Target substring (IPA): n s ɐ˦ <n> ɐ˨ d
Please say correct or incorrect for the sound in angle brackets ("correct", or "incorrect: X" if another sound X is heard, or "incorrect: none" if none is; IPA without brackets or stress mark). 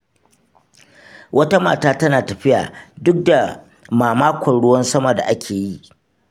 incorrect: m